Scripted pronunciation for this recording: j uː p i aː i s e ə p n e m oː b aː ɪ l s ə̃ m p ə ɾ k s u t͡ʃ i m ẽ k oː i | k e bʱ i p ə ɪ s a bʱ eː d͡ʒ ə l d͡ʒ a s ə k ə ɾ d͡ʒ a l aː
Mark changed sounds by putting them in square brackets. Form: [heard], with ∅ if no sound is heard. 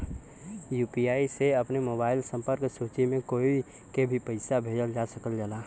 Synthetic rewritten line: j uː p i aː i s e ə p n e m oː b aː ɪ l s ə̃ m p ə ɾ k s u t͡ʃ i m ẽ k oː i | k e bʱ i p ə ɪ s a bʱ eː d͡ʒ ə l d͡ʒ a s ə k ə [l] d͡ʒ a l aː